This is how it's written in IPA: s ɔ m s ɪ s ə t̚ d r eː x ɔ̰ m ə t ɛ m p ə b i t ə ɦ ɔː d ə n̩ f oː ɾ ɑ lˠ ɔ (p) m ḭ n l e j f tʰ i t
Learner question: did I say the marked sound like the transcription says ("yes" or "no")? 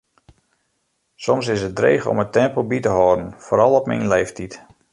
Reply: yes